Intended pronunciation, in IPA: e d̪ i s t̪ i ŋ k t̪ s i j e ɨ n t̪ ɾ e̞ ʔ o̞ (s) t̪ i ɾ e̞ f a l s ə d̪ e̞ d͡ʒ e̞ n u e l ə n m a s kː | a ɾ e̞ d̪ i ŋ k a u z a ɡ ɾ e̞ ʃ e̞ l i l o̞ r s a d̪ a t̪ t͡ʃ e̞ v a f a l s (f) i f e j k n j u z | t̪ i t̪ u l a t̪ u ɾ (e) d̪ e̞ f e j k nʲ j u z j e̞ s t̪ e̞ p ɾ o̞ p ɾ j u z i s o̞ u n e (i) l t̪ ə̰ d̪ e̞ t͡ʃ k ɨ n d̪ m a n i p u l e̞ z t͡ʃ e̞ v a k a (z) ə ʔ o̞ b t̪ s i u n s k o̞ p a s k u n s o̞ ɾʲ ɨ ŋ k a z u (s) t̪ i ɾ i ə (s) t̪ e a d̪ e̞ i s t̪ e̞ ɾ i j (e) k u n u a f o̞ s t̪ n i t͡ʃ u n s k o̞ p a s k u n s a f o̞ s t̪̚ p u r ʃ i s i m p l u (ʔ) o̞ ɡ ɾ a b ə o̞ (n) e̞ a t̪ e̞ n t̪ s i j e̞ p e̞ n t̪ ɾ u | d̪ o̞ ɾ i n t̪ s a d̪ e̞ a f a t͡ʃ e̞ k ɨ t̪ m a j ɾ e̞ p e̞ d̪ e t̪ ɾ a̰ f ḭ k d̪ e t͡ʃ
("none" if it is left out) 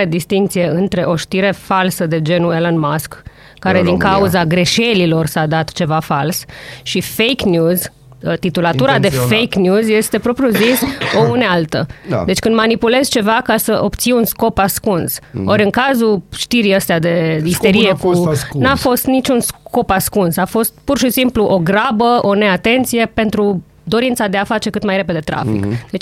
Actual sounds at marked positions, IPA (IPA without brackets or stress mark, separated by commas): ʃ, ʃ, a, a, s, ʃ, s, e, ʔ, n